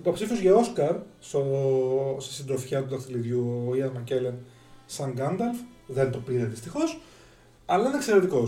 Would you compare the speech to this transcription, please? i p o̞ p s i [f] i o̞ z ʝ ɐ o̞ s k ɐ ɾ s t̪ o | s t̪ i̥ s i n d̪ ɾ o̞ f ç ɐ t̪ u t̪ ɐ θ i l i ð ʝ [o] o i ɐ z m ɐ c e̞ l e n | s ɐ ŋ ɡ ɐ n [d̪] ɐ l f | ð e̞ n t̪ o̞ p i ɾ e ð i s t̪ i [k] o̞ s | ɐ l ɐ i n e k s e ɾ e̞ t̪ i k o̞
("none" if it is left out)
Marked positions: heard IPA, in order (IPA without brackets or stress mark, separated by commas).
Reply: f, u, d̪, x